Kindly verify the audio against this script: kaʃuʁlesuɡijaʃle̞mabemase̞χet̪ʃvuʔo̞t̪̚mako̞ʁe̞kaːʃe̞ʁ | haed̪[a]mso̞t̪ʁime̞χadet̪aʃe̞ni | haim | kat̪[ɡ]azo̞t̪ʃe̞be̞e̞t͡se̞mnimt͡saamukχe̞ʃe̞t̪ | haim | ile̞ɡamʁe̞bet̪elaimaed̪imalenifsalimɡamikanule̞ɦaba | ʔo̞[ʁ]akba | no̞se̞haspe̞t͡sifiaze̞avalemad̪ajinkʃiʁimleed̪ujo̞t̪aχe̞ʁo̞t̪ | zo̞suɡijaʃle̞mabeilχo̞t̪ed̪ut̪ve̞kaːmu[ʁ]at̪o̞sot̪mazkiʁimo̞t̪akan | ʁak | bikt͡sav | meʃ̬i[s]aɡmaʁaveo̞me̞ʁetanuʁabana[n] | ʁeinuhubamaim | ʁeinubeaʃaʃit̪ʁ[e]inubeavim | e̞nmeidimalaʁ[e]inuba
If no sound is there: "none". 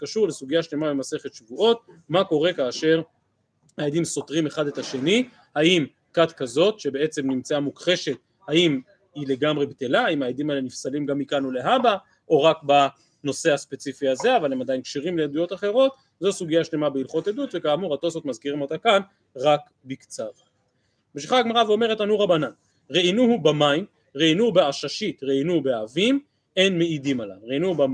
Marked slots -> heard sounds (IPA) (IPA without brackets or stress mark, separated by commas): i, k, ʁ, ʁ, χ, n, e, e